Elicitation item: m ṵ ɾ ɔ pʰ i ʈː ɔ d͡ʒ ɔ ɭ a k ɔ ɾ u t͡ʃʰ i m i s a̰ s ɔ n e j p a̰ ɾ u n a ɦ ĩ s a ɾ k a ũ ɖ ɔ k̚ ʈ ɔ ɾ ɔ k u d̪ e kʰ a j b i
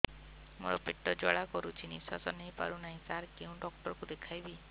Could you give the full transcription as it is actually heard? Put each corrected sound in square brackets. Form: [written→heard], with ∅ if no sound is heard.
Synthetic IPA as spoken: m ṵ ɾ ɔ [pʰ→p] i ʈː ɔ d͡ʒ ɔ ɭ a k ɔ ɾ u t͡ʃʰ i [m→n] i s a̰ s ɔ n e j p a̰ ɾ u n a ɦ ĩ s a ɾ k [a→e] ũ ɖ ɔ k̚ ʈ ɔ ɾ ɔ k u d̪ e kʰ a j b i